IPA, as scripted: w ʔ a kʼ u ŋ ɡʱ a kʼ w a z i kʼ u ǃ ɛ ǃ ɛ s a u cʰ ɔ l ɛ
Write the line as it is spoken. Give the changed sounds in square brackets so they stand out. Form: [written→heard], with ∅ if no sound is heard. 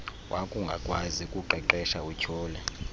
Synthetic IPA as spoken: w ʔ a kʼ u ŋ ɡʱ a kʼ w a z i kʼ u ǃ ɛ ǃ ɛ [s→ʃ] a u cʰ [ɔ→ɔː] l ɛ